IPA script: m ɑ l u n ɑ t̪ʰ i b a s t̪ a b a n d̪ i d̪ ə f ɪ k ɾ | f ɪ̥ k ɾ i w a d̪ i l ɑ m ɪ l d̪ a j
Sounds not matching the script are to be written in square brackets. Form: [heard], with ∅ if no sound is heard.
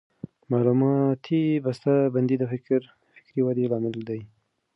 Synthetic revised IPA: m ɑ l u [m] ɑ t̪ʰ i b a s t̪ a b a n d̪ i d̪ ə f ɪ k ɾ | f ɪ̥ k ɾ i w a d̪ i l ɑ m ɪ l d̪ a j

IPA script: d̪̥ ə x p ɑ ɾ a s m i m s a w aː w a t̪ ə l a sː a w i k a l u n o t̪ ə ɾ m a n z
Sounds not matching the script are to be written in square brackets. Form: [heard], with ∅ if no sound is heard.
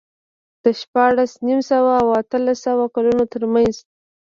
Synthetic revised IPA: d̪̥ ə [ʃ] p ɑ [ɽ] a s [n] i m s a w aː w a t̪ ə l a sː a w [a] k a l u n o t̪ ə ɾ m a n z

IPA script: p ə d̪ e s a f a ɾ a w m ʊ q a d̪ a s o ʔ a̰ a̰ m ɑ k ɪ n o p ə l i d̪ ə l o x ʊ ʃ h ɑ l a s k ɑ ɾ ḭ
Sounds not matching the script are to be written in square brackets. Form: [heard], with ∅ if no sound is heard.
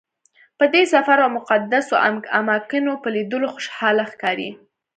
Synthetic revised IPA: p ə d̪ e s a f a ɾ a w m ʊ q a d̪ a s o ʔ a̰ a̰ m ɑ k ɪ n o p ə l i d̪ ə l o x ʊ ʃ h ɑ l a [x] k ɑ ɾ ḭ

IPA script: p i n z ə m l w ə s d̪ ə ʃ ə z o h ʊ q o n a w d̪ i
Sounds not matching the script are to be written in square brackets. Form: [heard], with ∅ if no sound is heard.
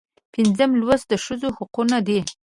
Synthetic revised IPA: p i n z ə m l w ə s d̪ ə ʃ ə z o h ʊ q [u] n a [∅] d̪ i

